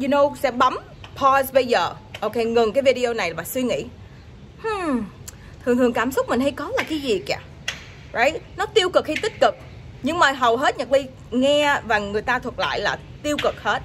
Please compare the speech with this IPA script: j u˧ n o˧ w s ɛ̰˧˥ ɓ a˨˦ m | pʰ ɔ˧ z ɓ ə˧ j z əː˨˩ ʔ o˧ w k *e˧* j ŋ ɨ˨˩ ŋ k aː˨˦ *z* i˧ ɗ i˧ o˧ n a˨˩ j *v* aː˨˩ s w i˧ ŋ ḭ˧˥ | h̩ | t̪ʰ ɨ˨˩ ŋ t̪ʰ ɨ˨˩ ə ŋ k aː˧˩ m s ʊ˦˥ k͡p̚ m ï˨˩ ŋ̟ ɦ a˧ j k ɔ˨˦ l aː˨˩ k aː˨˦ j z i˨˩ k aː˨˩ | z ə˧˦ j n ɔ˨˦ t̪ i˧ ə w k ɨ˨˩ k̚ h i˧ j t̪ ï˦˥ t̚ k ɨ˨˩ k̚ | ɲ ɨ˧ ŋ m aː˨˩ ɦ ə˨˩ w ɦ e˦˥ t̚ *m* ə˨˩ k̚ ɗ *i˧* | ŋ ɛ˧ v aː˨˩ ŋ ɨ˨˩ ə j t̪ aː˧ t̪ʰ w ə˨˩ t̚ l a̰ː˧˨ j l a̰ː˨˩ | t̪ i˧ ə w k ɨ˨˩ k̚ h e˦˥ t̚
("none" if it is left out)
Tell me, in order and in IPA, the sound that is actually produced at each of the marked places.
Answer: e˧, v, v, ɲ, i˧

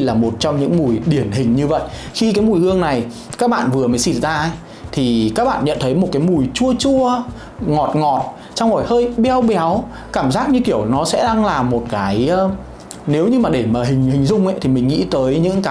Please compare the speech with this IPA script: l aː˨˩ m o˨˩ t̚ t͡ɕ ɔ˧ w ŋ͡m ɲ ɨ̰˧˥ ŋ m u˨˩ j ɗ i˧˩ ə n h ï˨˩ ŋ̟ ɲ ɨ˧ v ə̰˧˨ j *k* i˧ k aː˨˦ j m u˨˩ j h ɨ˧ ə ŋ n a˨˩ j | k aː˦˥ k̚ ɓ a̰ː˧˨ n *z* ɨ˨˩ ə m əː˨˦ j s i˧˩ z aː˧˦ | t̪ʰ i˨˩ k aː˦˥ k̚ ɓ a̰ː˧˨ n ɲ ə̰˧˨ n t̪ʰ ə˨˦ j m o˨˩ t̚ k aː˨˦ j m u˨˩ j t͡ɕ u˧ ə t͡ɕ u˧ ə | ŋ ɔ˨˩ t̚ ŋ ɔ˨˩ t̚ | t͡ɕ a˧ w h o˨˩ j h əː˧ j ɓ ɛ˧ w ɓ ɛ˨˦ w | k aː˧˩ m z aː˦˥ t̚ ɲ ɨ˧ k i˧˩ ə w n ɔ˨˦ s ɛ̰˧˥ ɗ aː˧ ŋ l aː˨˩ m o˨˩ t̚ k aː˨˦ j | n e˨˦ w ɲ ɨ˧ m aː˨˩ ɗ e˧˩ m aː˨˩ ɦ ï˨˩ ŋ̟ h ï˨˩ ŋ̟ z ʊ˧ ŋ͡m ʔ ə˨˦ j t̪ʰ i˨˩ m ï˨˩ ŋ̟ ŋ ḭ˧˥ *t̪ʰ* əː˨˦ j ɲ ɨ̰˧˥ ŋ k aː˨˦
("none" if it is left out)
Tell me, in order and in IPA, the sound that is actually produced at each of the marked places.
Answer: x, v, t̪

